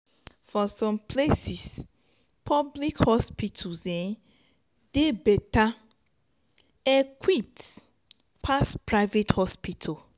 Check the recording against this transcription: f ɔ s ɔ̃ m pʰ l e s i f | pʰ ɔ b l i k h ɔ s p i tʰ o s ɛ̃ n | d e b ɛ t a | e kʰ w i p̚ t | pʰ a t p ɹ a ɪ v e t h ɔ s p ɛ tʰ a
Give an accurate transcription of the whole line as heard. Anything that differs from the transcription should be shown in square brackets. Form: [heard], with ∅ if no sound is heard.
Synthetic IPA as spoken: f ɔ s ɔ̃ m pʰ l e s i [s] | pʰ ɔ b l i k h ɔ s p i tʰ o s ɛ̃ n | d e b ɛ t a | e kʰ w i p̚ t | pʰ a [s] p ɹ a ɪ v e t h ɔ s p [i] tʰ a